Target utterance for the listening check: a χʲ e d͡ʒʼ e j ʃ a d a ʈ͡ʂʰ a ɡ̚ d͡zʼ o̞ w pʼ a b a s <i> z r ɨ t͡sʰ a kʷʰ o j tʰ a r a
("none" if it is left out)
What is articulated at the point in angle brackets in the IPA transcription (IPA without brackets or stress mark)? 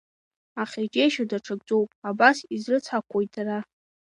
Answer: i